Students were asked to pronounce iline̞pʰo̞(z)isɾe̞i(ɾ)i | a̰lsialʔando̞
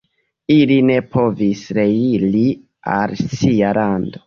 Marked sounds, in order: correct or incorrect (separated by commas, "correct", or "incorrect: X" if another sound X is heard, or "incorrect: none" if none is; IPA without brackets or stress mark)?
incorrect: v, incorrect: l